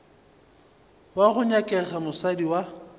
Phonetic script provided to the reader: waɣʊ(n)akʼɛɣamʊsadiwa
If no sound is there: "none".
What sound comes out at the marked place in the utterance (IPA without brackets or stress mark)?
ɲ